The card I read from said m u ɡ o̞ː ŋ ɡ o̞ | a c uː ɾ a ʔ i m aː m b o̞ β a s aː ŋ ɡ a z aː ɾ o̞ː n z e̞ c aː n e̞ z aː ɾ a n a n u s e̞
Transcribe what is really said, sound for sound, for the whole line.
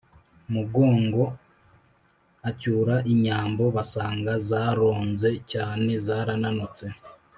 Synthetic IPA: m u ɡ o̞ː ŋ ɡ o̞ | a c uː ɾ a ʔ i ɲ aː m b o̞ β a s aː ŋ ɡ a z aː ɾ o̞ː n z e̞ c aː n e̞ z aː ɾ a n a n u t͡s e̞